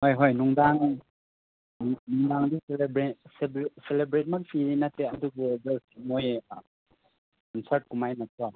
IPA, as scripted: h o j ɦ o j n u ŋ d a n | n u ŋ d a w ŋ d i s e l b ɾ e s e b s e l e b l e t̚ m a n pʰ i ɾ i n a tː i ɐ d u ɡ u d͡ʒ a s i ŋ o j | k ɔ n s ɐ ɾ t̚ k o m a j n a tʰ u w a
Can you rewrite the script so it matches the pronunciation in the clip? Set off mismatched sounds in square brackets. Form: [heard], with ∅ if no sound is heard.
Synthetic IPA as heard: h o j ɦ o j n u ŋ d a [ŋ] | n u ŋ d a [∅] ŋ d i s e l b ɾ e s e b s e l e b [ɾ] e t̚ m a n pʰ i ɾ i n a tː [e] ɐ d u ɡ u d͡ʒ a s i [m] o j | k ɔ n s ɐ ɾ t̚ k [u] m a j n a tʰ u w a